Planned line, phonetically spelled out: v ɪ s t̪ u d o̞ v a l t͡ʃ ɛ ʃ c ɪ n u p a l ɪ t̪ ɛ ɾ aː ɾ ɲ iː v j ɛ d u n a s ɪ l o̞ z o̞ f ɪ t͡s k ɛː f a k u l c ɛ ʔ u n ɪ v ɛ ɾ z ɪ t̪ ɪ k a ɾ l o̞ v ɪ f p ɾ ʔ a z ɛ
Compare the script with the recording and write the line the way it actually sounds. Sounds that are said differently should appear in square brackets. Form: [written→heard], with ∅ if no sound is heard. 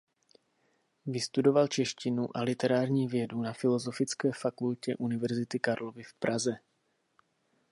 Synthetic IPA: v ɪ s t̪ u d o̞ v a l t͡ʃ ɛ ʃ c ɪ n u [p→ʔ] a l ɪ t̪ ɛ ɾ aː ɾ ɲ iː v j ɛ d u n a [s→f] ɪ l o̞ z o̞ f ɪ t͡s k ɛː f a k u l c ɛ ʔ u n ɪ v ɛ ɾ z ɪ t̪ ɪ k a ɾ l o̞ v ɪ f p ɾ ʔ a z ɛ

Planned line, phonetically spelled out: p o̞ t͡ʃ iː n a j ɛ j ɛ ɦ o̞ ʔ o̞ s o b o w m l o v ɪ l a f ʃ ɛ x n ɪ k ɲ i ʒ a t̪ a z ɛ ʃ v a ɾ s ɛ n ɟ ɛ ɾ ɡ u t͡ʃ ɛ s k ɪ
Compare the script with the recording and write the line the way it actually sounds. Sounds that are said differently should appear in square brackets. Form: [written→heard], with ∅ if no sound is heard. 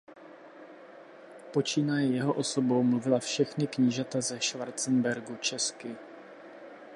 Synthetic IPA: p o̞ t͡ʃ iː n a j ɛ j ɛ ɦ o̞ ʔ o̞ s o b o w m l [o→u] v ɪ l a f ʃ ɛ x n ɪ k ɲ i ʒ a t̪ a z ɛ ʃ v a ɾ [s→t͡s] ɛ n [ɟ→b] ɛ ɾ ɡ u t͡ʃ ɛ s k ɪ

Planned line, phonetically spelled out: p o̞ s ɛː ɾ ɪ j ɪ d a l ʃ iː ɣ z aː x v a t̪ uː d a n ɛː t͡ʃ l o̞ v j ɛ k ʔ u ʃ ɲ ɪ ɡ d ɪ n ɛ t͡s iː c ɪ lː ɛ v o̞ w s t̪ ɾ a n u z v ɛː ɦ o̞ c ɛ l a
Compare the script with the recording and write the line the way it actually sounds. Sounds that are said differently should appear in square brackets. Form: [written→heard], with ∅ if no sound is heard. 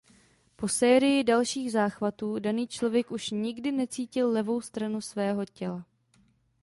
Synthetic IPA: p o̞ s ɛː ɾ ɪ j ɪ d a l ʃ iː ɣ z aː x v a t̪ uː d a n [ɛː→iː] t͡ʃ l o̞ v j ɛ k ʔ u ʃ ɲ ɪ ɡ d ɪ n ɛ t͡s iː c ɪ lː ɛ v o̞ w s t̪ ɾ a n u [z→s] v ɛː ɦ o̞ c ɛ l a

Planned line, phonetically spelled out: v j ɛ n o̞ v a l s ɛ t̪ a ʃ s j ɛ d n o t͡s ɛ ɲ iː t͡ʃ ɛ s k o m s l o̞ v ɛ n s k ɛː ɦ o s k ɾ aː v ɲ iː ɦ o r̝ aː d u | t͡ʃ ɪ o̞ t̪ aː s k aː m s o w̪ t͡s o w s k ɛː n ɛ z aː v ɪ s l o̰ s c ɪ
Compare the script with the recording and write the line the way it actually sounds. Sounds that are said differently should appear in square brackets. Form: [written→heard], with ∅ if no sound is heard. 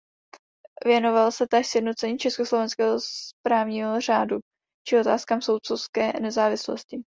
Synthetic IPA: v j ɛ n o̞ v a l s ɛ t̪ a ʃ s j ɛ d n o t͡s ɛ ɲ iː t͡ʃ ɛ s k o [m→∅] s l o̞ v ɛ n s k ɛː ɦ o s [k→p] ɾ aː v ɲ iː ɦ o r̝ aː d u | t͡ʃ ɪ o̞ t̪ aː s k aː m s o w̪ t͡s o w s k ɛː n ɛ z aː v ɪ s l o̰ s c ɪ

